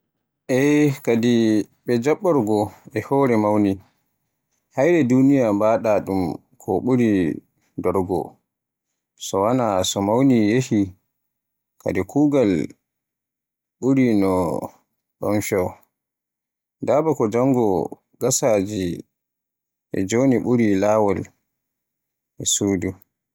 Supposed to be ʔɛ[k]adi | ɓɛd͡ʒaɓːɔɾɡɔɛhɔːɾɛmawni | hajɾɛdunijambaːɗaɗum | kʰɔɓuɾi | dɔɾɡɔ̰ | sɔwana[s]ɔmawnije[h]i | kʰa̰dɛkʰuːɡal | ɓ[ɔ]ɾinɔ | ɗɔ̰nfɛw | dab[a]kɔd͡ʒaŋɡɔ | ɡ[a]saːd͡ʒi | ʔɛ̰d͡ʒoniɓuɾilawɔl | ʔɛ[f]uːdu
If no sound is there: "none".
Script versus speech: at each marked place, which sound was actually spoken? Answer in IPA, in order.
k, s, h, u, a, a, s

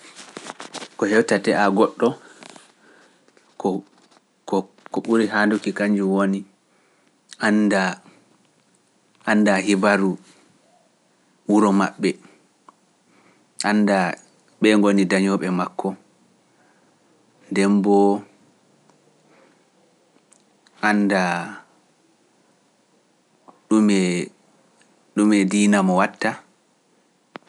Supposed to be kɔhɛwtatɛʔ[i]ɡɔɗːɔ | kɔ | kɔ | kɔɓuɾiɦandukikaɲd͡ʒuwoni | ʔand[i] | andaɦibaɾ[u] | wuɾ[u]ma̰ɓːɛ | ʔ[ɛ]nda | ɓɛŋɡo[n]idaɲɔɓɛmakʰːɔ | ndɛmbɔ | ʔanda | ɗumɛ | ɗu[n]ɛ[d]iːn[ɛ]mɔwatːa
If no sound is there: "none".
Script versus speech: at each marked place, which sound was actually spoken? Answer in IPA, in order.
a, a, u, ɔ, a, n, m, d, a

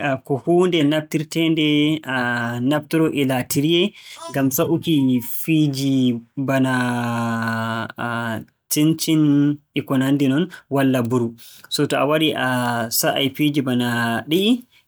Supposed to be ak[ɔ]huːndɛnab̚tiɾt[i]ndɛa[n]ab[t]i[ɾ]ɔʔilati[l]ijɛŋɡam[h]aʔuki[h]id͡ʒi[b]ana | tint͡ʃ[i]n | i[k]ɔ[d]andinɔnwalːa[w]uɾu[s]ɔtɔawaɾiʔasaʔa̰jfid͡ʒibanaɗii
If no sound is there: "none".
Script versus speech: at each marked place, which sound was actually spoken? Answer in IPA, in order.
ɔ, ɛ, n, t, ɾ, ɾ, s, f, b, i, k, n, b, s

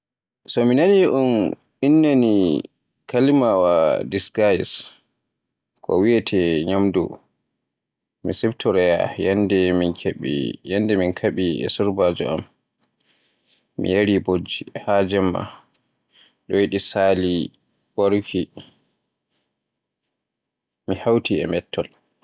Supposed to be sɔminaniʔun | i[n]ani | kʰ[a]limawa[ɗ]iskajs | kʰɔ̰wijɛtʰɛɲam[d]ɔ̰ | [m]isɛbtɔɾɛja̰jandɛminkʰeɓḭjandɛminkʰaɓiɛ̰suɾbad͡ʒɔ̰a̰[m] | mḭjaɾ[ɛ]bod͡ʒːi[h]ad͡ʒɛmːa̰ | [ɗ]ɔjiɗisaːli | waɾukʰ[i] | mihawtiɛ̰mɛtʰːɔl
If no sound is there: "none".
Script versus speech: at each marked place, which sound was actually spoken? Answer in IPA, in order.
nː, a, d, d, m, m, i, h, ɗ, i

